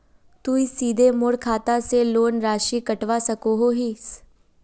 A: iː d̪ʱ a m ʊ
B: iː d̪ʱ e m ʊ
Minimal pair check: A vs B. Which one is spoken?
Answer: B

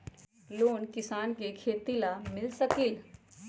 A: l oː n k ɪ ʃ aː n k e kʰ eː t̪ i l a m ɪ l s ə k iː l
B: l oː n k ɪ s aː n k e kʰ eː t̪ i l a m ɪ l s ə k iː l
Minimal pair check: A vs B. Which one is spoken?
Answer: B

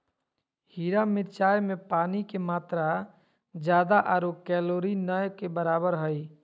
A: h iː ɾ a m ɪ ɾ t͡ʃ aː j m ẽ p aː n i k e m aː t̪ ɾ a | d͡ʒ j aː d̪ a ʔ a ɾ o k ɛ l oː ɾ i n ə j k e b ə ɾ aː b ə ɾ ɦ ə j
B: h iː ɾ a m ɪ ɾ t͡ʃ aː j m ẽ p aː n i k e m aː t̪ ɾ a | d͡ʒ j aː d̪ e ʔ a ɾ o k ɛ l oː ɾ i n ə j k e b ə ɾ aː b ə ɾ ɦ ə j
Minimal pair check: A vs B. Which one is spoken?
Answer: A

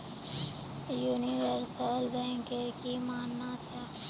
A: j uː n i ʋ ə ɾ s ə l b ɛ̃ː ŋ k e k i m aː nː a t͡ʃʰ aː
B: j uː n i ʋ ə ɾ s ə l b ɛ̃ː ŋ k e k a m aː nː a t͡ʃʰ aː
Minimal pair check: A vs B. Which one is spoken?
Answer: A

